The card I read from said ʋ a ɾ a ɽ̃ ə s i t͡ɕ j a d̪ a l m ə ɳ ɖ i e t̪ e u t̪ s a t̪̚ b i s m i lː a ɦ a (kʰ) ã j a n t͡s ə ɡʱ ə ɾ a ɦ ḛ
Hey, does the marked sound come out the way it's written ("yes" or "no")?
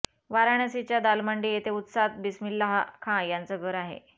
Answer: yes